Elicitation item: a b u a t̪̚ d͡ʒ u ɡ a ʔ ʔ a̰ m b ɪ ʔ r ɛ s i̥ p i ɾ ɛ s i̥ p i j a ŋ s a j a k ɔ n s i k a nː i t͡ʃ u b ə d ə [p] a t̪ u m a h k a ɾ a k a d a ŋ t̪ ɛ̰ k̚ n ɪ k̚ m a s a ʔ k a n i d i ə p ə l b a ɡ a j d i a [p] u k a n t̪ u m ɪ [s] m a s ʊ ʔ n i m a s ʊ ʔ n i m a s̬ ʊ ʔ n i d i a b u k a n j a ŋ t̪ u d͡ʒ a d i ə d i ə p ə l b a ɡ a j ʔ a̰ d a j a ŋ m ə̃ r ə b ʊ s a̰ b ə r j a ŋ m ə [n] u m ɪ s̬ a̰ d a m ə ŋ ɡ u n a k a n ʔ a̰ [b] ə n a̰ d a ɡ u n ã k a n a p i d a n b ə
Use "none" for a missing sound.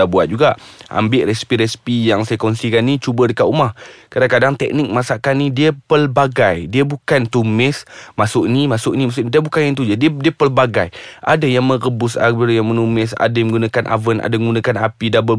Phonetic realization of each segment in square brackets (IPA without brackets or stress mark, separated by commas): k, b, s, n, v